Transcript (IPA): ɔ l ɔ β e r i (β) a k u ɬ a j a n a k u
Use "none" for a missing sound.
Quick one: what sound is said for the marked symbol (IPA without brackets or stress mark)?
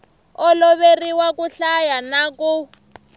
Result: w